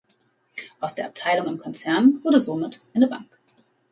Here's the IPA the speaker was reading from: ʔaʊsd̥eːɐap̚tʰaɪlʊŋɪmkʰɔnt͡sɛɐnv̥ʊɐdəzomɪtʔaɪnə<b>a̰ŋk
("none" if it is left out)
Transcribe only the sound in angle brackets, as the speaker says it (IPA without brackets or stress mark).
b